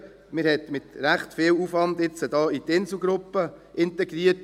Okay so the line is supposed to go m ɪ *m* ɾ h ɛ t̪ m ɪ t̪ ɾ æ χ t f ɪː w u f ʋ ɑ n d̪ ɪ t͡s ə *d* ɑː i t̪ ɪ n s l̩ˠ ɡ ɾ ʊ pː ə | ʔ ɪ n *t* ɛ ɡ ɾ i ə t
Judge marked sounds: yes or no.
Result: no, yes, yes

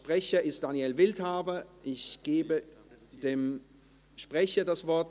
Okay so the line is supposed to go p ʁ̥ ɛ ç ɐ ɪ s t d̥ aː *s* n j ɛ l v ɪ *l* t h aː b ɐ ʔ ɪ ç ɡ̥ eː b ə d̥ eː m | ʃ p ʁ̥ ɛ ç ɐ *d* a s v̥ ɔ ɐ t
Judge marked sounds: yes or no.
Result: no, yes, yes

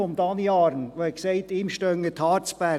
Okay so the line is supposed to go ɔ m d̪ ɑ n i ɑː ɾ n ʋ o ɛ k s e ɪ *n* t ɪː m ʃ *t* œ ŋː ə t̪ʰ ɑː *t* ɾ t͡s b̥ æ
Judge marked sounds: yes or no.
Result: no, yes, no

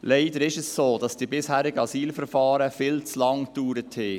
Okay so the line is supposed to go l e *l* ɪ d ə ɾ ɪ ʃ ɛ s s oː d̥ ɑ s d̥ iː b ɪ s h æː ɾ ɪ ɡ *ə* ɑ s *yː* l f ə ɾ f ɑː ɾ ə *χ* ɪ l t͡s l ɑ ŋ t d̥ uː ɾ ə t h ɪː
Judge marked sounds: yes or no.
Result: no, yes, no, no

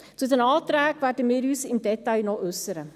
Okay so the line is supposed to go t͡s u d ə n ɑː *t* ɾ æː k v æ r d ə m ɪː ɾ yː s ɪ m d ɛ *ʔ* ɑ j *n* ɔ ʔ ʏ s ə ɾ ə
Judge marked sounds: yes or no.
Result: yes, no, yes

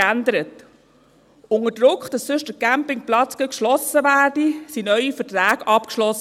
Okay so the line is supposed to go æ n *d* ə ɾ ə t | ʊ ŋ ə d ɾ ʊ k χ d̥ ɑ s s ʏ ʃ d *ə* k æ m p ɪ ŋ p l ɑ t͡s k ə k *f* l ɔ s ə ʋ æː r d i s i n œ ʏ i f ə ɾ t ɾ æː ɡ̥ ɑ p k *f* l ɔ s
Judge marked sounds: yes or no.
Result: yes, yes, no, no

